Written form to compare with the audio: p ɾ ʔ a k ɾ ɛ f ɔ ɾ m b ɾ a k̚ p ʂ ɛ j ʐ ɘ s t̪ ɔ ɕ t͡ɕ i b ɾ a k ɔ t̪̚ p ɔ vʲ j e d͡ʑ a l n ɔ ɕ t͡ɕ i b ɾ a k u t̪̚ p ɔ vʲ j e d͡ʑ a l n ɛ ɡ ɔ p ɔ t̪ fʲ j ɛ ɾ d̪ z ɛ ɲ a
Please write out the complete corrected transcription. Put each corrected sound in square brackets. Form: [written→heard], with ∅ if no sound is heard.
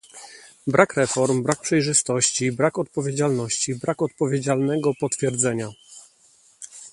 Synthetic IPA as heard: [p→b] ɾ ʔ a k ɾ ɛ f ɔ ɾ m b ɾ a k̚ p ʂ ɛ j ʐ ɘ s t̪ ɔ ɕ t͡ɕ i b ɾ a k ɔ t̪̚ p ɔ vʲ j e d͡ʑ a l n ɔ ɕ t͡ɕ i b ɾ a k [u→ɔ] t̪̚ p ɔ vʲ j e d͡ʑ a l n ɛ ɡ ɔ p ɔ t̪ fʲ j ɛ ɾ d̪ z ɛ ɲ a